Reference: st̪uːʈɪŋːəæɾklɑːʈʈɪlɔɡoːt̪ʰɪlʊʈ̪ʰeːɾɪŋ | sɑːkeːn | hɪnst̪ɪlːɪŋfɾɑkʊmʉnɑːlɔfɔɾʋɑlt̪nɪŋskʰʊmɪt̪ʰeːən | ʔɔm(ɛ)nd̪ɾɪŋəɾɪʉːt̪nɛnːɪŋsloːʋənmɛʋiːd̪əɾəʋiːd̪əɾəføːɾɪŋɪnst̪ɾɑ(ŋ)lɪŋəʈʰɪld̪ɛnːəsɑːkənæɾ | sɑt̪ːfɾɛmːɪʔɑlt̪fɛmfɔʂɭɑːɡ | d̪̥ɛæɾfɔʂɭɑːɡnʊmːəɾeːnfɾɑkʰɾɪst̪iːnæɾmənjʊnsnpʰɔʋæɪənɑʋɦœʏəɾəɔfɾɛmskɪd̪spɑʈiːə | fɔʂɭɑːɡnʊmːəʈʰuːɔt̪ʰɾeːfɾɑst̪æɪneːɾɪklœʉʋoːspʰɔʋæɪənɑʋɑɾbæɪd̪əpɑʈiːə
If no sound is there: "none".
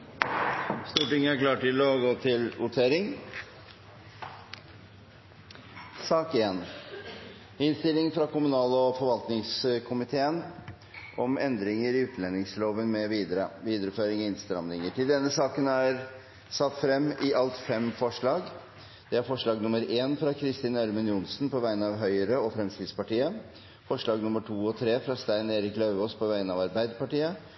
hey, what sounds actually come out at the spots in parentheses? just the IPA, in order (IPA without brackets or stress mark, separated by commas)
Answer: ɛ, m